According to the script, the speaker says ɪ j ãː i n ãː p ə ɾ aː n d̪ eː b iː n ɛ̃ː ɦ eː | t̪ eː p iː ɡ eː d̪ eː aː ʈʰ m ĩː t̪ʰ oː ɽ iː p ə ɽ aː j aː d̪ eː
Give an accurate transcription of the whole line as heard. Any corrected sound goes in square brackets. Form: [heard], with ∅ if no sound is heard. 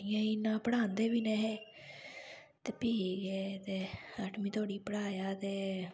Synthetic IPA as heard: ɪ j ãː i n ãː p ə [ɽ] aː n d̪ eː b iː n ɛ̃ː ɦ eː | t̪ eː p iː ɡ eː [t̪] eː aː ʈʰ m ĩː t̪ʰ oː ɽ iː p ə ɽ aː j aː [t̪] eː

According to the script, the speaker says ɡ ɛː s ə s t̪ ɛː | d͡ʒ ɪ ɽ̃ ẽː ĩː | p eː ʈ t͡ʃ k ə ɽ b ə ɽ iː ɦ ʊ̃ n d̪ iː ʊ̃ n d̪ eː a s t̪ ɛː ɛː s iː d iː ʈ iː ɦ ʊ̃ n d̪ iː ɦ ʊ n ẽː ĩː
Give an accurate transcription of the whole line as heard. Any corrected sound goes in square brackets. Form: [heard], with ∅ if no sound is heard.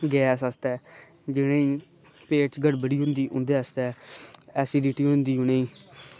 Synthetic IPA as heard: ɡ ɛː s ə s t̪ ɛː | d͡ʒ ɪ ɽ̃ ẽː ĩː | p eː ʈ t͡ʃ [ɡ] ə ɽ b ə ɽ iː ɦ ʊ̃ n d̪ iː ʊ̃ n d̪ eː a s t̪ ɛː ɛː s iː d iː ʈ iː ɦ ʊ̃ n d̪ iː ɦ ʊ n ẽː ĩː

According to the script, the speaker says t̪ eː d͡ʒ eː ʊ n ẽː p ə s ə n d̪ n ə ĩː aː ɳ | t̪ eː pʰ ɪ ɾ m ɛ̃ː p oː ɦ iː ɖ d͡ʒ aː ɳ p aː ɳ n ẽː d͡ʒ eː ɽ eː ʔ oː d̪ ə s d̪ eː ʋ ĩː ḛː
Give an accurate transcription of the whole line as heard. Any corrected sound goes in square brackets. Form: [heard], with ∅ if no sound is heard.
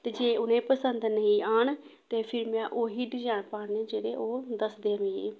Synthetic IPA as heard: t̪ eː d͡ʒ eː ʊ n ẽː p ə s ə n d̪ n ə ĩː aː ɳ | t̪ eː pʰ ɪ ɾ m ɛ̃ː [ʔ] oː ɦ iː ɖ d͡ʒ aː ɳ p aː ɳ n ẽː d͡ʒ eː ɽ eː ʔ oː d̪ ə s d̪ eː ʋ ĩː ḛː

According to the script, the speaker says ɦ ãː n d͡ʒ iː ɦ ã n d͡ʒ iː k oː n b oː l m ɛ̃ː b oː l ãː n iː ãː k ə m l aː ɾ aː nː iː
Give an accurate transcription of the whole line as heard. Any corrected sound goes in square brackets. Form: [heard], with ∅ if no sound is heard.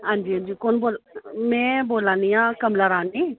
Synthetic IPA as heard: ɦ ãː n d͡ʒ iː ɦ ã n d͡ʒ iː k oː n b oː l m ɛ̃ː b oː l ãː n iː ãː k ə m l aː ɾ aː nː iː

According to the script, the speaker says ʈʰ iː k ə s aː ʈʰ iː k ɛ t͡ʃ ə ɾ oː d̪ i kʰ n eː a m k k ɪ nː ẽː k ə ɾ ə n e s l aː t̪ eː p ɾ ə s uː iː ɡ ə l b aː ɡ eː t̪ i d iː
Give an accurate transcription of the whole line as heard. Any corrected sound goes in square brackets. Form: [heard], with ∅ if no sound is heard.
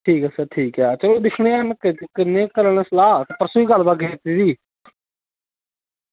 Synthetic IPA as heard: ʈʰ iː k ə s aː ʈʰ iː k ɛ t͡ʃ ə [l] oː d̪ [ɪ] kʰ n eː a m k k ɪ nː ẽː k ə ɾ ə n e s l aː t̪ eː p ɾ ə s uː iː ɡ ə l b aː ɡ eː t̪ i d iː

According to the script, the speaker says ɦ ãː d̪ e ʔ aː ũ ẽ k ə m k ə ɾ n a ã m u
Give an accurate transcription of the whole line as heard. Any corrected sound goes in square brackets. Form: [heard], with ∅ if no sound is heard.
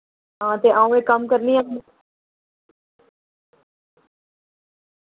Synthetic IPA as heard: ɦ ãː [t̪] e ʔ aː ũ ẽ k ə m k ə ɾ n [i] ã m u

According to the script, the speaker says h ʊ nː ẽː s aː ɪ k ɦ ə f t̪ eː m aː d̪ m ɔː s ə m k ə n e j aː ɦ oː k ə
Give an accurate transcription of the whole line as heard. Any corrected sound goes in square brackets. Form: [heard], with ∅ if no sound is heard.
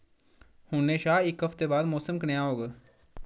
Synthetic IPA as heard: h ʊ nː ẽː [ʃ] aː ɪ k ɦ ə f t̪ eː [b] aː d̪ m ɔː s ə m k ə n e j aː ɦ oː [ɡ] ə

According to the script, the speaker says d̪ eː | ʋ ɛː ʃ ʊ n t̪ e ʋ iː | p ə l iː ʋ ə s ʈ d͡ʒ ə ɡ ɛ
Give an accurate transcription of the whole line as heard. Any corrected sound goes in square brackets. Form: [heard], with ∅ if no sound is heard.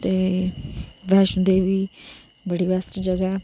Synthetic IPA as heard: [t̪] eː | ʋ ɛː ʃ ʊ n [d̪] e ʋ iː | [b] ə [ɽ] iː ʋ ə s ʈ d͡ʒ ə ɡ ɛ

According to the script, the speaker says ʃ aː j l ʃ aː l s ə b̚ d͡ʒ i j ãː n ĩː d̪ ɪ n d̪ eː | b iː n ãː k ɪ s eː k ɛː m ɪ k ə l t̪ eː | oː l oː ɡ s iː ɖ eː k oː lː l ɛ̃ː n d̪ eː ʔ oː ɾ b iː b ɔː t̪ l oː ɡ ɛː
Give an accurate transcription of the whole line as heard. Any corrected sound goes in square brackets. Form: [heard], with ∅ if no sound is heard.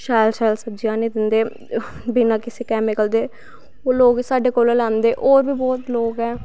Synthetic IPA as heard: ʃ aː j l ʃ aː l s ə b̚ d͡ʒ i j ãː n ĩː d̪ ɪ n d̪ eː | b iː n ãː k ɪ s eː k ɛː m ɪ k ə l [d̪] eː | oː l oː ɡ s [aː] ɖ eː k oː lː l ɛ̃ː n d̪ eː ʔ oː ɾ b iː b ɔː t̪ l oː ɡ ɛː

